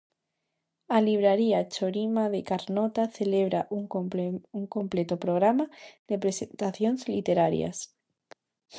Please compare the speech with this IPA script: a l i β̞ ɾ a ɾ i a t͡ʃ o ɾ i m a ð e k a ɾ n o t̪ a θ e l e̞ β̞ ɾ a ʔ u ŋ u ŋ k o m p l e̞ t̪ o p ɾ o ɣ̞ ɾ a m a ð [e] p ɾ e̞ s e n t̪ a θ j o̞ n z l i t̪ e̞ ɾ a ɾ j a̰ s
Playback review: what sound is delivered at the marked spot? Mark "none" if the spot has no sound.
e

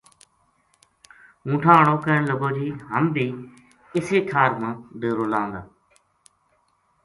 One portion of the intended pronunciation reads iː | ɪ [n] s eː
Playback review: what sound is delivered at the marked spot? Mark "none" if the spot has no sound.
none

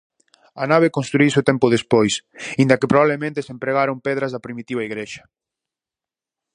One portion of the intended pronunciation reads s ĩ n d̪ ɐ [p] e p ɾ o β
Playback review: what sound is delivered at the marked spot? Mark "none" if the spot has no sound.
k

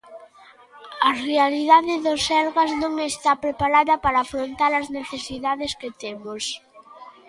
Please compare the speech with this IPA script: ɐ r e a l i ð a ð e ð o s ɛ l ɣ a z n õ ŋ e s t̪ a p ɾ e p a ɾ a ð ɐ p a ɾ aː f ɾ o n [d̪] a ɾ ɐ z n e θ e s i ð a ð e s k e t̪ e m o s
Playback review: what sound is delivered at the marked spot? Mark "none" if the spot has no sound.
t̪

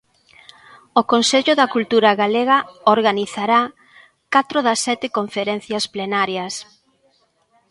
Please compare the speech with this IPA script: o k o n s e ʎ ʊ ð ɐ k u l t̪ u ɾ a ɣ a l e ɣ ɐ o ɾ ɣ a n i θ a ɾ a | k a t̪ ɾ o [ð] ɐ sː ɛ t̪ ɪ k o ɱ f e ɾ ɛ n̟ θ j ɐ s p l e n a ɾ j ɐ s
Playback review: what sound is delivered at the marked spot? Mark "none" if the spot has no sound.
ð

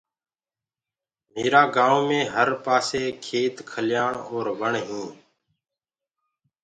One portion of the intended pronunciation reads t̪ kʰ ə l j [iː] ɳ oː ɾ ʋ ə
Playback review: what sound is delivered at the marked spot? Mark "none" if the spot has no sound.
aː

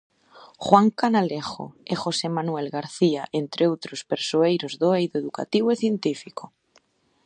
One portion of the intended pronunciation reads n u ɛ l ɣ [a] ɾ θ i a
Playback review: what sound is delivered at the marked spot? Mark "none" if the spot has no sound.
a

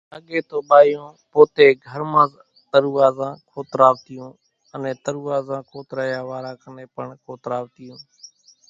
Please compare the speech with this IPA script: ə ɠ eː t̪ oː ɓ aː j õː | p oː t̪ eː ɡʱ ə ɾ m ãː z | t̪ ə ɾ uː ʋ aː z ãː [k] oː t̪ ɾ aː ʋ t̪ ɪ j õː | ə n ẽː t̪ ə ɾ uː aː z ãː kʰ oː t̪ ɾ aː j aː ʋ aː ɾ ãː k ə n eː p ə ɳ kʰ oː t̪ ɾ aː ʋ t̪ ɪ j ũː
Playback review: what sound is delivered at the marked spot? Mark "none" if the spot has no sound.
kʰ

